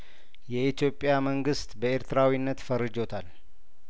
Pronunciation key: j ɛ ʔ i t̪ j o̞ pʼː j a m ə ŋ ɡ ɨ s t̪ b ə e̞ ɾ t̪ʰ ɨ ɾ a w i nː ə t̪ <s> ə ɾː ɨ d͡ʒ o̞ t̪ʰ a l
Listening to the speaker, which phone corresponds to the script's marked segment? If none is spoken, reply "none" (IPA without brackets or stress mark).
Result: f